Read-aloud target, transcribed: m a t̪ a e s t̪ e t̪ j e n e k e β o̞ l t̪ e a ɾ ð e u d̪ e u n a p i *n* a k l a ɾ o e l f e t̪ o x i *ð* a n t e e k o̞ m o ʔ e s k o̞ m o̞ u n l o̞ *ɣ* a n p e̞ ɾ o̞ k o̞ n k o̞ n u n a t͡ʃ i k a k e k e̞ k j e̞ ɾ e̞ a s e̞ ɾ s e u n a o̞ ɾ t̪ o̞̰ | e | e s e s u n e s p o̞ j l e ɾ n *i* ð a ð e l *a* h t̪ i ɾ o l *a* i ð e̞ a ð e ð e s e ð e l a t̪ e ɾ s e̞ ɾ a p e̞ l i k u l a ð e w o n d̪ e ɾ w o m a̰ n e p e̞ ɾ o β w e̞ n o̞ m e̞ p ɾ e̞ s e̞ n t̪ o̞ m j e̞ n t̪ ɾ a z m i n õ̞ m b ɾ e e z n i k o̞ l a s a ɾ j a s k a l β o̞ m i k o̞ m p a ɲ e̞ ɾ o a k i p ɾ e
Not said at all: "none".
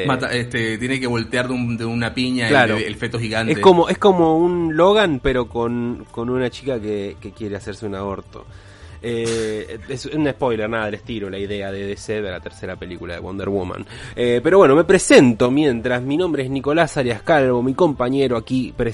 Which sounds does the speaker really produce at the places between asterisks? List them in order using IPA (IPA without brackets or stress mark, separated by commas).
ɲ, ɣ, ɣ, a, e, a